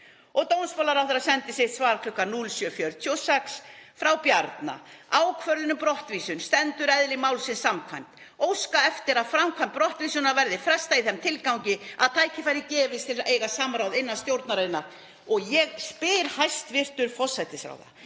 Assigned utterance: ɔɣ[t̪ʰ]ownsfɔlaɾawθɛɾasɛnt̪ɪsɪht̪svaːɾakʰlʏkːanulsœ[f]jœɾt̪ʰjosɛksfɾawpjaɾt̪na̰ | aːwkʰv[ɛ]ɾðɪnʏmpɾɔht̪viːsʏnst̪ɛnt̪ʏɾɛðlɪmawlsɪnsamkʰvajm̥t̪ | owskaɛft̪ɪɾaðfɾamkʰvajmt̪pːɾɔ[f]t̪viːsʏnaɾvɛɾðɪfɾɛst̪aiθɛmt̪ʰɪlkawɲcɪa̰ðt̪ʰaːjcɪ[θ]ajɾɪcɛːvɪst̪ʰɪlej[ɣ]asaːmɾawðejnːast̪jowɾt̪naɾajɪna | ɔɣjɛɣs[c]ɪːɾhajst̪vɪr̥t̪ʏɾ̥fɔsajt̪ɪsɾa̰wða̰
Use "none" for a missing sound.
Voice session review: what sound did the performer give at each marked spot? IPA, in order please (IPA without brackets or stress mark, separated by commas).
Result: t̪, f, œ, h, f, ɣ, p